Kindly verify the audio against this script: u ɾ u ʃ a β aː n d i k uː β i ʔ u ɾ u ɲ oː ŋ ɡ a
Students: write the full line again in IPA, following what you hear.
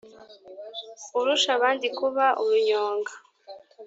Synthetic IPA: u ɾ u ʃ a β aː n d i k u β a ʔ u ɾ u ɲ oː ŋ ɡ a